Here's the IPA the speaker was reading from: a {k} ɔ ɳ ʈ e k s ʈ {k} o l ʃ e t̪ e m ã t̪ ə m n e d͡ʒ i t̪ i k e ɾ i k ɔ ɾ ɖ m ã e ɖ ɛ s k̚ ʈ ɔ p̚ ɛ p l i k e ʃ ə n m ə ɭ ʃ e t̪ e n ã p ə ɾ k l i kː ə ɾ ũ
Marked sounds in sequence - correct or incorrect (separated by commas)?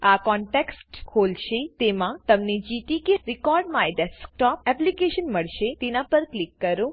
correct, incorrect